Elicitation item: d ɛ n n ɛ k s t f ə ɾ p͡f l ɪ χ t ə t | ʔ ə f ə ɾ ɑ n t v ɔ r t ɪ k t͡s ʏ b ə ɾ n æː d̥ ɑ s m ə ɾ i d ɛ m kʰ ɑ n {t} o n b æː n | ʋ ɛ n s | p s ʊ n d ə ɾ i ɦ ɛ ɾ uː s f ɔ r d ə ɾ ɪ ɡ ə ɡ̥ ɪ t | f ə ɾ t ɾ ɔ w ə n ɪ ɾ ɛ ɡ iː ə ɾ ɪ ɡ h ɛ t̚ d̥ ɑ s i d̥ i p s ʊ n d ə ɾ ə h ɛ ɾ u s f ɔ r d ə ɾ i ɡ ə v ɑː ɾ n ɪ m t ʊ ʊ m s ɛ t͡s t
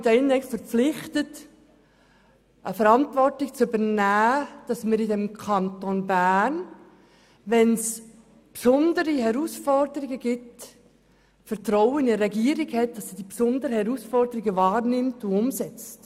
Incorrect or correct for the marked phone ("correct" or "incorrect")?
correct